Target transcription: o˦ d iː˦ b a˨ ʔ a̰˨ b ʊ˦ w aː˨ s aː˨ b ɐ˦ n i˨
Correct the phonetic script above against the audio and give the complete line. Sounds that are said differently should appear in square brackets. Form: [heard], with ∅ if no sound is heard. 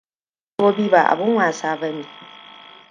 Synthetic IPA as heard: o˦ [b] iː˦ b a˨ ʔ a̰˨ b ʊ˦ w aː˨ s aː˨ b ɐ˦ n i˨